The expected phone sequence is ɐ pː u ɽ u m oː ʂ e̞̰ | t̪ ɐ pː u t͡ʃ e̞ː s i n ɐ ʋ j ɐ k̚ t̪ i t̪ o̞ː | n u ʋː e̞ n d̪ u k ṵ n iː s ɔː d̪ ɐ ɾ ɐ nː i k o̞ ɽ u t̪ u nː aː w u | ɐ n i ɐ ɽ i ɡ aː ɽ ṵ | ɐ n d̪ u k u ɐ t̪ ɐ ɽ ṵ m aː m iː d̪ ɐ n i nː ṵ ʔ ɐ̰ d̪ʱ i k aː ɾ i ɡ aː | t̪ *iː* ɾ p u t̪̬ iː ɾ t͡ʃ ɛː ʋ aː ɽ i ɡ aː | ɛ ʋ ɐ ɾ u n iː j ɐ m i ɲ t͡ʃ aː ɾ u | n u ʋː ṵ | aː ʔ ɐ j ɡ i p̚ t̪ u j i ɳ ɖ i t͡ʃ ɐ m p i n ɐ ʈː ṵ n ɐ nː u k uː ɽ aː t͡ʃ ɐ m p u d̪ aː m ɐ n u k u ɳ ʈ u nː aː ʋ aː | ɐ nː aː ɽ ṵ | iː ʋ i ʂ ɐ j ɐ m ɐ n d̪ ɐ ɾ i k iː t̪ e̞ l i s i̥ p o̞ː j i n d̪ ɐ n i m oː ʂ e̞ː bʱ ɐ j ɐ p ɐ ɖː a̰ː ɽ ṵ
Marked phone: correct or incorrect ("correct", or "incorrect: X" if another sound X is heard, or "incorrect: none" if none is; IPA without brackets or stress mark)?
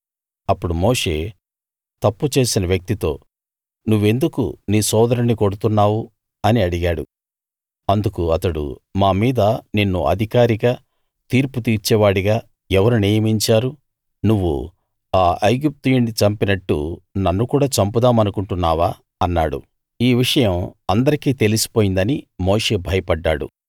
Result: correct